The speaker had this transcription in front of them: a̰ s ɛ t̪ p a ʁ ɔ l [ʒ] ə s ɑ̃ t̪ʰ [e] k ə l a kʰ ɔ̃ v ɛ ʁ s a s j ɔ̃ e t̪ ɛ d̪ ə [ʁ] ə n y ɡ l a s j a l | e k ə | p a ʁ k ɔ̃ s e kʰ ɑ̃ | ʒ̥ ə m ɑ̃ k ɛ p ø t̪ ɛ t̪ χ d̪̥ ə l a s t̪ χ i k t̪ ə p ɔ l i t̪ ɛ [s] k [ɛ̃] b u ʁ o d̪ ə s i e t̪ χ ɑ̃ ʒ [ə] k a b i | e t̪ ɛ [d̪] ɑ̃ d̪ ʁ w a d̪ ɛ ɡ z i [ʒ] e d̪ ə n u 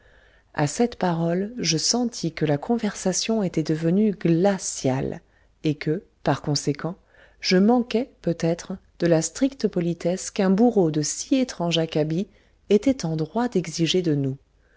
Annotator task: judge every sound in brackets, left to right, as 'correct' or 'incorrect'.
correct, incorrect, incorrect, correct, correct, incorrect, incorrect, correct

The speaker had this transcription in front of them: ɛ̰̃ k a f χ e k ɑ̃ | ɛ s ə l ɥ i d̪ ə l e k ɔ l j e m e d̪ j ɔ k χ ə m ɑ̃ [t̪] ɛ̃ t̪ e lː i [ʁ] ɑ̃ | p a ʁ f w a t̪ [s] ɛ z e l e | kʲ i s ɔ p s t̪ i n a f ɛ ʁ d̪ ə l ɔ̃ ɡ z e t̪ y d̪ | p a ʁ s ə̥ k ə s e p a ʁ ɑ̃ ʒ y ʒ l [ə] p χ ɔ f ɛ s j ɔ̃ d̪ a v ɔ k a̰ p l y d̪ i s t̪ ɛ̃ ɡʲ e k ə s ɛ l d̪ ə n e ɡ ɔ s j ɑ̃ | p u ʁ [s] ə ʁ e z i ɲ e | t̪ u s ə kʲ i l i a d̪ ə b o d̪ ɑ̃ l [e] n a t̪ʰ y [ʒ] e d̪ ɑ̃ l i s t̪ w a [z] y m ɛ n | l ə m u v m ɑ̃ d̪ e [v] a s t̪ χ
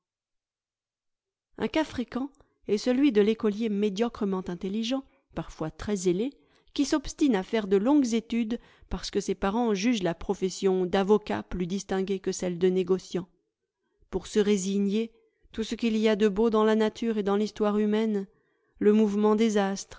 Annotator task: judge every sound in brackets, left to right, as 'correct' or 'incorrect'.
correct, incorrect, incorrect, incorrect, correct, incorrect, incorrect, incorrect, incorrect

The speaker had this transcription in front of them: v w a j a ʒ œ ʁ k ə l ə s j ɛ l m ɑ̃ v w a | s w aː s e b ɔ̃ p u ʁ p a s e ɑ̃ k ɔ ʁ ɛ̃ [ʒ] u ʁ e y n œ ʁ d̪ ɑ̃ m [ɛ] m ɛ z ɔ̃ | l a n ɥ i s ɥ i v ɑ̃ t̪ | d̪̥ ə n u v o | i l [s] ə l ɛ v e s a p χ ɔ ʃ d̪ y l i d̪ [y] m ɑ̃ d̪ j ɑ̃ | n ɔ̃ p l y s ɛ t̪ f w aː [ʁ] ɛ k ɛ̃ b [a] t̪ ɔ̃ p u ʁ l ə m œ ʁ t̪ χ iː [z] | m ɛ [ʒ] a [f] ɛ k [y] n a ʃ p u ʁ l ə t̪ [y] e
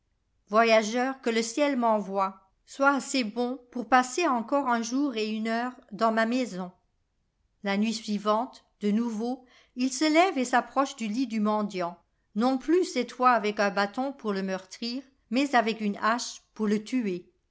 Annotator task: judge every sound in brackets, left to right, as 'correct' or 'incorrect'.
correct, incorrect, correct, correct, incorrect, correct, incorrect, incorrect, incorrect, correct, correct

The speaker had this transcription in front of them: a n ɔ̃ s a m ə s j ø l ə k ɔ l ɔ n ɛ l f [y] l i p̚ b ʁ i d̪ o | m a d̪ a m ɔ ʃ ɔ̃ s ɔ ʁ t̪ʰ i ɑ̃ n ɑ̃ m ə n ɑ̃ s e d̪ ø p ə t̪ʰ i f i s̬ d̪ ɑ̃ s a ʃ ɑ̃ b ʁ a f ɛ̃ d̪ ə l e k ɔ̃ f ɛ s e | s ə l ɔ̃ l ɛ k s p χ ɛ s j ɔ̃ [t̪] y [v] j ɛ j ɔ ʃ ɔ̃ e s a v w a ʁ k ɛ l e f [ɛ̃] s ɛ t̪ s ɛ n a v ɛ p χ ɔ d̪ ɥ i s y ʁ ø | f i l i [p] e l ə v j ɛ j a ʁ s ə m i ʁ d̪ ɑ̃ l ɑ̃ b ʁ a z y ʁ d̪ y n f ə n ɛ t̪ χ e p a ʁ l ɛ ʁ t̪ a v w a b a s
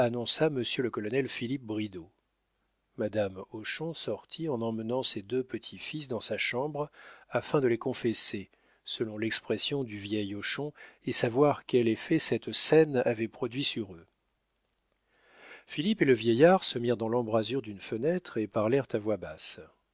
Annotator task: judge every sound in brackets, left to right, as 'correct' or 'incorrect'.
incorrect, incorrect, correct, incorrect, correct

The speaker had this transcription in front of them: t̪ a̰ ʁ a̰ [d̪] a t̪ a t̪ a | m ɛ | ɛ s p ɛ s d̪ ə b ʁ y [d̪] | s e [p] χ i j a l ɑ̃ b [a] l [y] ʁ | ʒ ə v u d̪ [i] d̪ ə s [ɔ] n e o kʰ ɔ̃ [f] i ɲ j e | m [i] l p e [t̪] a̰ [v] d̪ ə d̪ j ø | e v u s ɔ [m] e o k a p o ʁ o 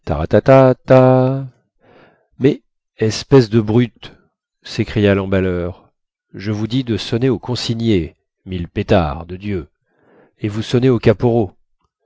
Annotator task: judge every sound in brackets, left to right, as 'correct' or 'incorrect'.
incorrect, incorrect, incorrect, correct, incorrect, correct, correct, incorrect, correct, correct, incorrect, incorrect

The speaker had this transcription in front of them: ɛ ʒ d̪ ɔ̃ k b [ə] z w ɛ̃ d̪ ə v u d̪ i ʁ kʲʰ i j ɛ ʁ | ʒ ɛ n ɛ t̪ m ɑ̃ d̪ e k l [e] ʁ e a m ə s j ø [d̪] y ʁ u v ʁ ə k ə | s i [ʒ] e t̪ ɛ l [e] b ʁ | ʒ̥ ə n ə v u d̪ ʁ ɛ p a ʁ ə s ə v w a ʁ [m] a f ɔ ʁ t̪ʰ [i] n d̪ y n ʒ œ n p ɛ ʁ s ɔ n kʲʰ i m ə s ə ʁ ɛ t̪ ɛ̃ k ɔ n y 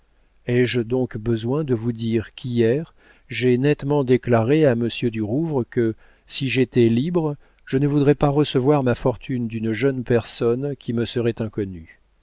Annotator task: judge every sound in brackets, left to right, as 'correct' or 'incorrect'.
correct, incorrect, correct, correct, incorrect, correct, incorrect

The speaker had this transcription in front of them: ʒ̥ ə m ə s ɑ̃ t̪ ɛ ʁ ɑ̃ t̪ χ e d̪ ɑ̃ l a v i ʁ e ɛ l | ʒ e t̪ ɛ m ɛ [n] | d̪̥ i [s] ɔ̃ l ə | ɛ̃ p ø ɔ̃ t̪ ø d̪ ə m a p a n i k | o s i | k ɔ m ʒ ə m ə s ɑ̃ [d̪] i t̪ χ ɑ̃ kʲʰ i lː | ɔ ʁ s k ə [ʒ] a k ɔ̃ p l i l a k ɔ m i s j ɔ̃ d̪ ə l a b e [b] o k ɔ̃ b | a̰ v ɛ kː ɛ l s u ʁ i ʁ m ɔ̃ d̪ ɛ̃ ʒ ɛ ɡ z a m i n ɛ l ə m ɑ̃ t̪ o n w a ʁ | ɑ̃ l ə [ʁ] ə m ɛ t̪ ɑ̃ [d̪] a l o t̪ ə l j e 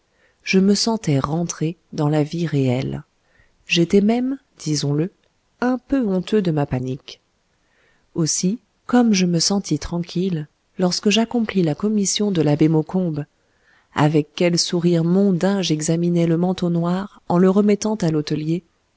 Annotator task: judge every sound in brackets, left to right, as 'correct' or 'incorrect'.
incorrect, incorrect, incorrect, correct, incorrect, correct, incorrect

